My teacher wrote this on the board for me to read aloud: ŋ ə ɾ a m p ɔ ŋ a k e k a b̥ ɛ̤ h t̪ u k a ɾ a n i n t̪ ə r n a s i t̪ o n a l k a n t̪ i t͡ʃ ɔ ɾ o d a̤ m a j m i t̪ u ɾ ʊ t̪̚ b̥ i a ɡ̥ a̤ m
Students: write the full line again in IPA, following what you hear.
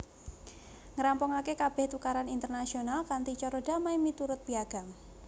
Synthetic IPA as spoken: ŋ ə ɾ a m p ɔ ŋ a k e k a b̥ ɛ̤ h t̪ u k a ɾ a n i n t̪ ə r n a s i o n a l k a n t̪ i t͡ʃ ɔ ɾ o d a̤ m a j m i t̪ u ɾ ʊ t̪̚ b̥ i a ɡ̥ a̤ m